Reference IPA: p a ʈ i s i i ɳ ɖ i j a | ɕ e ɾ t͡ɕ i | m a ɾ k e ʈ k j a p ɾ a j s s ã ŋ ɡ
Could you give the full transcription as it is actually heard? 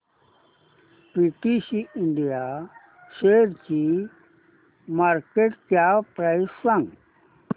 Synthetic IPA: p i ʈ i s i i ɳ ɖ i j a | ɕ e ɾ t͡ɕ i | m a ɾ k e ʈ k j a p ɾ a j s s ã ŋ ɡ

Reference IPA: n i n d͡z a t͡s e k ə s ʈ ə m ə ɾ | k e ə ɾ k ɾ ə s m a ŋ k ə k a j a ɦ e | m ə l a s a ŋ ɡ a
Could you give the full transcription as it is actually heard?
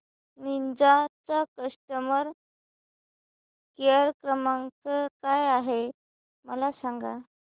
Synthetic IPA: n i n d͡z a t͡s a k ə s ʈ ə m ə ɾ | k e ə ɾ k ɾ ə m a ŋ k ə k a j a ɦ e | m ə l a s a ŋ ɡ a

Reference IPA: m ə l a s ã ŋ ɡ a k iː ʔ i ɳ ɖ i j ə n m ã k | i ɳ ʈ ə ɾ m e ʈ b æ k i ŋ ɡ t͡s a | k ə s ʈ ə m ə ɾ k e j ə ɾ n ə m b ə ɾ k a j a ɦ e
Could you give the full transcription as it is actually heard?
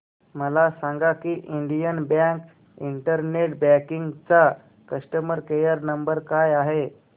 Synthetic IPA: m ə l a s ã ŋ ɡ a k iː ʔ i ɳ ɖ i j ə n b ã k | i ɳ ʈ ə ɾ n e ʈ b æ k i ŋ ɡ t͡s a | k ə s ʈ ə m ə ɾ k e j ə ɾ n ə m b ə ɾ k a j a ɦ e

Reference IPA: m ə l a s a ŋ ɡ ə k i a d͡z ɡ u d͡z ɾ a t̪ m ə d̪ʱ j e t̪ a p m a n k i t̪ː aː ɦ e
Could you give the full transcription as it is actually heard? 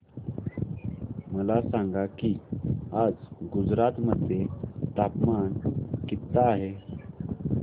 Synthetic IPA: m ə l a s a ŋ ɡ a k i a d͡z ɡ u d͡z ɾ a t̪ m ə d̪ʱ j e t̪ a p m a n k i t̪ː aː ɦ e

